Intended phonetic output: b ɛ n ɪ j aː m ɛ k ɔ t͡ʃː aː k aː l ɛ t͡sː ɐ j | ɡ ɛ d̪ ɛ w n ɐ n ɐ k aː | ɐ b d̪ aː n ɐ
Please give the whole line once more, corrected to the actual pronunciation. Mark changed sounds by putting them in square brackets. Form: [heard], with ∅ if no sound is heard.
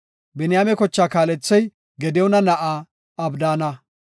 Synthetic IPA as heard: b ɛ n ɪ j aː m ɛ k ɔ t͡ʃː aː k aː l ɛ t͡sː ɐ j | ɡ ɛ d̪ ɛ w n ɐ n ɐ [ʔ] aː | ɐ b d̪ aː n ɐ